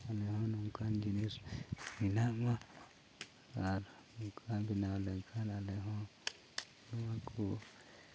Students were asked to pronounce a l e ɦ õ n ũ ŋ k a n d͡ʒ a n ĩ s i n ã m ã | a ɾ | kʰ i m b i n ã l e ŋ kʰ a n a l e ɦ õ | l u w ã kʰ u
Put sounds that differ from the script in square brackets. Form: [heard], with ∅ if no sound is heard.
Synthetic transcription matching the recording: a l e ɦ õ n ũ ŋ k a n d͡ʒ [i] n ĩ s i n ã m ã | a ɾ | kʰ [a] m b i n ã l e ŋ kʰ a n a l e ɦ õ | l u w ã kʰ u